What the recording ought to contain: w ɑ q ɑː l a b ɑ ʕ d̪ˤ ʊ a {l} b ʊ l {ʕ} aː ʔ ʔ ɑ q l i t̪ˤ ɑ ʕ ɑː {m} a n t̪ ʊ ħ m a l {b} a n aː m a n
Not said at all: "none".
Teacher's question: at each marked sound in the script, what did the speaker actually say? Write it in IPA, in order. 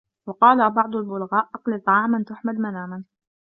l, ɣ, m, m

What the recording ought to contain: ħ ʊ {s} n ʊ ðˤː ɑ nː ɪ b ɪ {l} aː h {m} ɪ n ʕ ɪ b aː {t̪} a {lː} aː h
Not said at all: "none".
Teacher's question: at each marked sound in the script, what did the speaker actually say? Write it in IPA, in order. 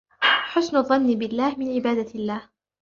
s, lː, m, d̪, lː

